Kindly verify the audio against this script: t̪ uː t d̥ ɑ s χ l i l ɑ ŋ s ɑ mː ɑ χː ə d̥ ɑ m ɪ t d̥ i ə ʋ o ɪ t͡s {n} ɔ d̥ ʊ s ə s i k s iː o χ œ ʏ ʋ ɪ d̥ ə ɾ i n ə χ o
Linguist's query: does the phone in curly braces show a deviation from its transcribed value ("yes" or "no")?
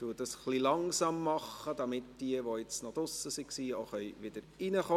no